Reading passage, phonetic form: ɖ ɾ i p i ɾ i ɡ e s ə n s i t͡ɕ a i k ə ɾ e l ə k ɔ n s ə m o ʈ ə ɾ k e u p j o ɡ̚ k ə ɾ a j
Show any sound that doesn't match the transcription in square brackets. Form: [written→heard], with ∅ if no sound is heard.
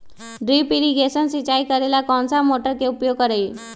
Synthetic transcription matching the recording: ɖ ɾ i p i ɾ i ɡ e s ə n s i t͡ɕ a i k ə ɾ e l [ə→a] k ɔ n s [ə→a] m o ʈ ə ɾ k e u p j o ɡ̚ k ə ɾ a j

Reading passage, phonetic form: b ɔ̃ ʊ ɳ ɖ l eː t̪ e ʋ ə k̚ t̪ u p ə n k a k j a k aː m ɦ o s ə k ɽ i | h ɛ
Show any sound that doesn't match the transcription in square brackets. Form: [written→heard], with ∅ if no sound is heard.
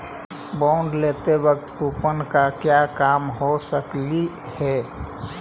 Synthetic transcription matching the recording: b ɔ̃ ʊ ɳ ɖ l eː t̪ e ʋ ə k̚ t̪ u p ə n k a k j a k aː m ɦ o s ə k [ɽ→l] i | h ɛ

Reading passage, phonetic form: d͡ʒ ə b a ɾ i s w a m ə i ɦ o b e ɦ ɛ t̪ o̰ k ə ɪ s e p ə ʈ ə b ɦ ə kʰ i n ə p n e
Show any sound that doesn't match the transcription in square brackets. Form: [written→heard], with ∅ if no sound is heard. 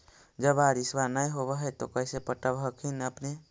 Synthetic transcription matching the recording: d͡ʒ ə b a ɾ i s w a [m→n] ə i ɦ o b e ɦ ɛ t̪ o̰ k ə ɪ s e p ə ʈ ə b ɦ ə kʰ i n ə p n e

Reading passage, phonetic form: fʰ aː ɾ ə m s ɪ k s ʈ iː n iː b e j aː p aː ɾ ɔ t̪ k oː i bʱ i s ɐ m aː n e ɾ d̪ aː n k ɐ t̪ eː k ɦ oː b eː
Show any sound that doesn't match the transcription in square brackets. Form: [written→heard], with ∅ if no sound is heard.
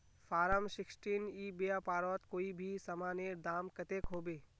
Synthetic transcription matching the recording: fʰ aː ɾ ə m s ɪ k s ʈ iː n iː b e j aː p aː ɾ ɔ t̪ k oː i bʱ i s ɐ m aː n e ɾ d̪ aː [n→m] k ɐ t̪ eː k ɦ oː b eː

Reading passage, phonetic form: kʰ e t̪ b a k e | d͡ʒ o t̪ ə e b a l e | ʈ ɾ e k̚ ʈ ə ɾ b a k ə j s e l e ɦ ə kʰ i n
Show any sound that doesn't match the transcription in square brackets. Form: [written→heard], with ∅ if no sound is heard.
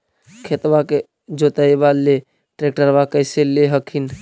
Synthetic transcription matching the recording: kʰ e t̪ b a k e | d͡ʒ o t̪ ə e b a l e | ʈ ɾ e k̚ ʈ ə ɾ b a k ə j s e l e ɦ ə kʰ i n

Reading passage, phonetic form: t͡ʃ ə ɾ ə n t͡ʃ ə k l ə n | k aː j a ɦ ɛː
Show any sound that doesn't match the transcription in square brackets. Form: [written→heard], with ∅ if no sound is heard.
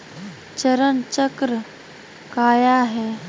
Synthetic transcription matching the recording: t͡ʃ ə ɾ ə n t͡ʃ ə k [l→ɾ] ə [n→∅] | k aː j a ɦ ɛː

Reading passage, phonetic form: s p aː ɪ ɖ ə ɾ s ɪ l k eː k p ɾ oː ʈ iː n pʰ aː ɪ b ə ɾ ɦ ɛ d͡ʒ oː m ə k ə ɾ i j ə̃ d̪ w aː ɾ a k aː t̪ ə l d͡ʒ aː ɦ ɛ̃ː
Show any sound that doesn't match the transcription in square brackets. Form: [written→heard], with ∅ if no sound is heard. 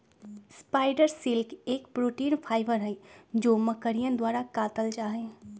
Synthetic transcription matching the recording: s p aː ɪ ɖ ə ɾ s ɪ l k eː k p ɾ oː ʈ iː n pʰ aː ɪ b ə ɾ ɦ ɛ d͡ʒ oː m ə k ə ɾ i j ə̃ d̪ w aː ɾ a k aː t̪ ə l d͡ʒ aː ɦ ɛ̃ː

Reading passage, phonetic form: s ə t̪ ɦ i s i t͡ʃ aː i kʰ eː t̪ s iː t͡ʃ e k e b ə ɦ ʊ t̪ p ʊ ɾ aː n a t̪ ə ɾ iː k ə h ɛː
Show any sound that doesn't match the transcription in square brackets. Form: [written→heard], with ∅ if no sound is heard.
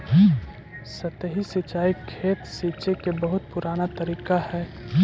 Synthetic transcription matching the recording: s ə t̪ ɦ i s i t͡ʃ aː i kʰ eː t̪ s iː t͡ʃ e k e b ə ɦ ʊ t̪ p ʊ ɾ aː n a t̪ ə ɾ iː k [ə→a] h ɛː

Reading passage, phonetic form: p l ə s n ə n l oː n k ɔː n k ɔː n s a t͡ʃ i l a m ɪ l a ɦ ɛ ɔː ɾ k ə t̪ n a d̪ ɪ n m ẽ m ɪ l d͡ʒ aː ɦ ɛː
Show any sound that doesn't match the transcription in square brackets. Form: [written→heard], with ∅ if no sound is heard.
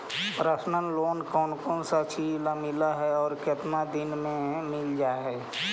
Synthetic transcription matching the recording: p [l→ɾ] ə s n ə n l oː n k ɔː n k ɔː n s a t͡ʃ i l a m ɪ l a ɦ ɛ ɔː ɾ k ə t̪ n a d̪ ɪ n m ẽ m ɪ l d͡ʒ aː ɦ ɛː

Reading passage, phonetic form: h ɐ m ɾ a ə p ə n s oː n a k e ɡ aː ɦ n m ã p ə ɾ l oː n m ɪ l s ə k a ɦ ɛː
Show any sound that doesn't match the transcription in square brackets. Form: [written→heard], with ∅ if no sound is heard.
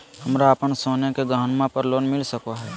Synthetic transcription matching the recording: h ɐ m ɾ a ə p ə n s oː n [a→e] k e ɡ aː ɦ n m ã p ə ɾ l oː n m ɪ l s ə k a ɦ ɛː

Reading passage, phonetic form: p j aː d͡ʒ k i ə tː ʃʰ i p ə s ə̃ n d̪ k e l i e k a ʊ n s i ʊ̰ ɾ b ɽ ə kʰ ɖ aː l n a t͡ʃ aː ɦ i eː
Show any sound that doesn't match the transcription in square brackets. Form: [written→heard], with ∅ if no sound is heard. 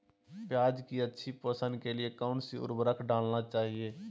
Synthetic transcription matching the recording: p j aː d͡ʒ k i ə tː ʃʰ i p ə s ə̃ n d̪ k e l i e k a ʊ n s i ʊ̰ ɾ b [ɽ→ɾ] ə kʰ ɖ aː l n a t͡ʃ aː ɦ i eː

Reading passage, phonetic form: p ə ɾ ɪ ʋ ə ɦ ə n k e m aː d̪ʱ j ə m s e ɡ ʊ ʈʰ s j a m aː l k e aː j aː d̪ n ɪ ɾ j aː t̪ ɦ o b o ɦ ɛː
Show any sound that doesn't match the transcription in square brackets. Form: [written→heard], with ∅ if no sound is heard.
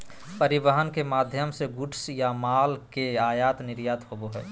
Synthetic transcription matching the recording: p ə ɾ ɪ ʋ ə ɦ ə n k e m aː d̪ʱ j ə m s e ɡ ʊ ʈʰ s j a m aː l k e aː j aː [d̪→t̪] n ɪ ɾ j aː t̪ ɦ o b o ɦ ɛː

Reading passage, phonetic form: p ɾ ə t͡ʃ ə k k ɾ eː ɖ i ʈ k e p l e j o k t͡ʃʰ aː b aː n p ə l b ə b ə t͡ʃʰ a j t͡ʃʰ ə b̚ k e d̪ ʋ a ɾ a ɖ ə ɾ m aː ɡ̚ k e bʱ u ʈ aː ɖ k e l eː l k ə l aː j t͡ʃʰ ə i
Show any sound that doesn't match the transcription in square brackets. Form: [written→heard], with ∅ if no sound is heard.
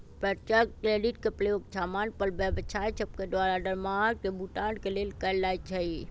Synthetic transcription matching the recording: p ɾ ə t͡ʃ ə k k ɾ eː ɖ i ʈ k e p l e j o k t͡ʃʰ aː [b→m] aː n p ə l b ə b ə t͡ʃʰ a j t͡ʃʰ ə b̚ k e d̪ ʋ a ɾ a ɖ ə ɾ m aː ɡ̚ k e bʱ u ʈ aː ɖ k e l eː l k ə l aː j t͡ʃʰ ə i

